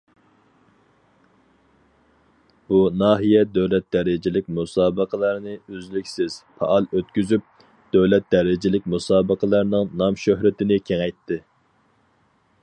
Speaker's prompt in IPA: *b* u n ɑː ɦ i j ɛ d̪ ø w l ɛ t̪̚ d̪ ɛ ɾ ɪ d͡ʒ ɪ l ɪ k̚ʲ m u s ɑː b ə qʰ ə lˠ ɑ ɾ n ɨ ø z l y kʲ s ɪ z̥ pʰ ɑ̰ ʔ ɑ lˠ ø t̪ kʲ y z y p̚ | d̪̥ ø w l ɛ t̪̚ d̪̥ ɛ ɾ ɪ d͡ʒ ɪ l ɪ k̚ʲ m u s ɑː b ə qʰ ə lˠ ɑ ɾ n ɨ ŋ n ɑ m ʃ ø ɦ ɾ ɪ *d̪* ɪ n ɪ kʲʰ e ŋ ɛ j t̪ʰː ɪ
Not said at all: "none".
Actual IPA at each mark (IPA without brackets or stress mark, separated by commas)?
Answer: b, t̪